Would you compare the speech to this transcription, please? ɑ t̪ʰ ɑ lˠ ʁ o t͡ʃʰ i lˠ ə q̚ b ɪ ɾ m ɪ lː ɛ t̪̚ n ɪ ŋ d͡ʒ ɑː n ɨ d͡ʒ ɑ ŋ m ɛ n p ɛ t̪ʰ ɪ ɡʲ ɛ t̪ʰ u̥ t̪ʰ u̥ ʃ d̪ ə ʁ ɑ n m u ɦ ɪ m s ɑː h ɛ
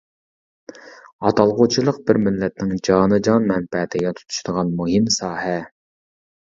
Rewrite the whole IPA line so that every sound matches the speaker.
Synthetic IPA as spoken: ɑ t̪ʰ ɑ lˠ ʁ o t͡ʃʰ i lˠ ə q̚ b ɪ ɾ m ɪ lː ɛ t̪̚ n ɪ ŋ d͡ʒ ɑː n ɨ d͡ʒ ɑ n m ɛ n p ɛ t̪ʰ ɪ ɡʲ ɛ t̪ʰ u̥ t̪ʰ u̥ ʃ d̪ ə ʁ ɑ n m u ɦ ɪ m s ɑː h ɛ